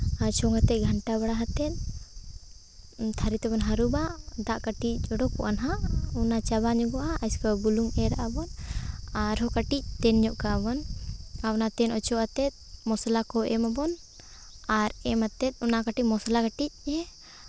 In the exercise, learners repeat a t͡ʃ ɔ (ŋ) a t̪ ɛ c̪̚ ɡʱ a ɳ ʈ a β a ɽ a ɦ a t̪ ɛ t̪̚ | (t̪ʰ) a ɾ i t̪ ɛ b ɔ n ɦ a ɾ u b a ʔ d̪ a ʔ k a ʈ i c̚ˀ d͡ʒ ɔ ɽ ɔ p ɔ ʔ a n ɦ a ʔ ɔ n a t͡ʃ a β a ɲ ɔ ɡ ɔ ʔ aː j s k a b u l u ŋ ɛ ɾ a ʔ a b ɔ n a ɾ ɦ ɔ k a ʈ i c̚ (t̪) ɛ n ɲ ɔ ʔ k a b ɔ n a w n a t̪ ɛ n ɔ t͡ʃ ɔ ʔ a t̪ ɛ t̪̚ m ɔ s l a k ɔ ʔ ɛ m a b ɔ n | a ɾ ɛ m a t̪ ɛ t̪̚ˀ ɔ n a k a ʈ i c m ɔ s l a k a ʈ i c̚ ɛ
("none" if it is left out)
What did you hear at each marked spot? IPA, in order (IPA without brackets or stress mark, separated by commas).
ŋ, t̪ʰ, t̪